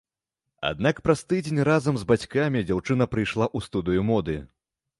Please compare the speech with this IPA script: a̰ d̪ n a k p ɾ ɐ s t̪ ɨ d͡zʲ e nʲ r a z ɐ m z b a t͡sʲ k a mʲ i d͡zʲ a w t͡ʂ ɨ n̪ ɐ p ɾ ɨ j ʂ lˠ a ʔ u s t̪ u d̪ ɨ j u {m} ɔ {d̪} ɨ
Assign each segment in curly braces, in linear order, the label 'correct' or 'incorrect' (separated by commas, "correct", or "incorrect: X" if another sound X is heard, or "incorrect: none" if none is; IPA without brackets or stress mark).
correct, correct